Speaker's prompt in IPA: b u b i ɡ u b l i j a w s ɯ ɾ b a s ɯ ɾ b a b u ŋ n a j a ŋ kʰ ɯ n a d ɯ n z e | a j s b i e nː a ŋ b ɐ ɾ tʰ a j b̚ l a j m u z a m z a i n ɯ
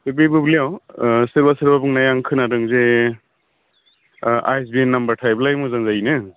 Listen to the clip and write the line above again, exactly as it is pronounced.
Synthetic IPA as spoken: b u b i b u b l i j a w s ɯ ɾ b a s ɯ ɾ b a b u ŋ n a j a ŋ kʰ ɯ n a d ɯ ŋ z e | a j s b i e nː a m b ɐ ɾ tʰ a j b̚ l a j m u z a ŋ z a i n ɯ